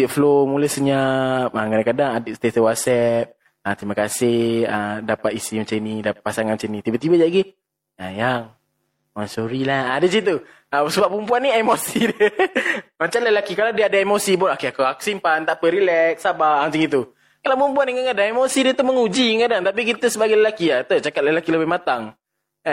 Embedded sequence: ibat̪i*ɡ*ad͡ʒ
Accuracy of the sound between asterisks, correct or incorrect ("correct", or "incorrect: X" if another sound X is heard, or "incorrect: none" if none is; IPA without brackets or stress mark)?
incorrect: b